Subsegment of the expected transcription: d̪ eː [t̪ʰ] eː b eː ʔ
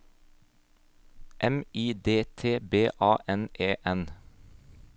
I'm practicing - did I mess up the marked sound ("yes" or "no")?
no